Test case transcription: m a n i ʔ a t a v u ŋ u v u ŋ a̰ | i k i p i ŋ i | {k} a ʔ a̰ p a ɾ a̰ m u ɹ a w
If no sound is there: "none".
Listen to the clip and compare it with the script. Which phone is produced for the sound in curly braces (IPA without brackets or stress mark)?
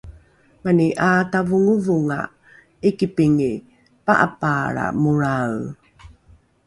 p